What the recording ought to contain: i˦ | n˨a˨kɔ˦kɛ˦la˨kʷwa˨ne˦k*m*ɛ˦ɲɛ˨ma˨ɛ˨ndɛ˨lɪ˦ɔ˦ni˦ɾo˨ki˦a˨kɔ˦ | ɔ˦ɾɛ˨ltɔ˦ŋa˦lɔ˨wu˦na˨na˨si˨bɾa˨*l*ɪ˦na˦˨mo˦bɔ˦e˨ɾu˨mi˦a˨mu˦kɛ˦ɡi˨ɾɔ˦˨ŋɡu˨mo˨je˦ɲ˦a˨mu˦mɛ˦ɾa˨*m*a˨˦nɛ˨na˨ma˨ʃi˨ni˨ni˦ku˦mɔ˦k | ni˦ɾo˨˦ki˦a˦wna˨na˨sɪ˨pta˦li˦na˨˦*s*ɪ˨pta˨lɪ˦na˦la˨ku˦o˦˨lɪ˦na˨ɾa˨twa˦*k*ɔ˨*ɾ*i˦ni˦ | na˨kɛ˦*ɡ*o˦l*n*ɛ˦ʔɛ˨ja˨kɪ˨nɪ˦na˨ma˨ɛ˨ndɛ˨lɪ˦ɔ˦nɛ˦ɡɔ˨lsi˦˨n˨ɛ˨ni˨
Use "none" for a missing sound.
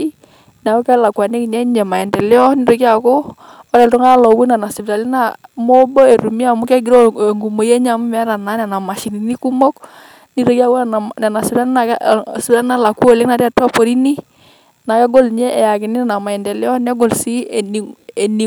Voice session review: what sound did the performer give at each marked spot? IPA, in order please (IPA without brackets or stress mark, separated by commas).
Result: ɲ, l, n, s, p, ɾ, ɡ, ɲ